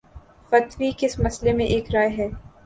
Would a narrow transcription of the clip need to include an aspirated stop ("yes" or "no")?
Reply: no